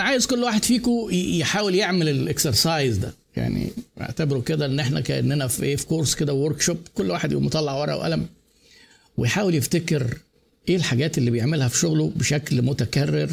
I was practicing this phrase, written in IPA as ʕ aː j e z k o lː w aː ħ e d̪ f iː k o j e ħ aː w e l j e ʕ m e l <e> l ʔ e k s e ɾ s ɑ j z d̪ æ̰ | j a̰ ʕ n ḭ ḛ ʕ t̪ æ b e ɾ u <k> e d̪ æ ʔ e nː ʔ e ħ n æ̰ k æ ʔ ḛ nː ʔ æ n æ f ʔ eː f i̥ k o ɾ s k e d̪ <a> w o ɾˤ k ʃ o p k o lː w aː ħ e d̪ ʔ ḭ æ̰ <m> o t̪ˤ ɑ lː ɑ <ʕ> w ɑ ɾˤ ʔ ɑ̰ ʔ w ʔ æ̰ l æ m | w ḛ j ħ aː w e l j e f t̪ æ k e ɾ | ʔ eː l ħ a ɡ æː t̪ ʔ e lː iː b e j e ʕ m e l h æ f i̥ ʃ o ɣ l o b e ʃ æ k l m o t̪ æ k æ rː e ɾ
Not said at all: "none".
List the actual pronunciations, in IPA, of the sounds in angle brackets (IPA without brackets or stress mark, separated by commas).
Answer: e, k, æ, m, ʕ